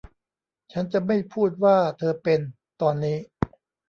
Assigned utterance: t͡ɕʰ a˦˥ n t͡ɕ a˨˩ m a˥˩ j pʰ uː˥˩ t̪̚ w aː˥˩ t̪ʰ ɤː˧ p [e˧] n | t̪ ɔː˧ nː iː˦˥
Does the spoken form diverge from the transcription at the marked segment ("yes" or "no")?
no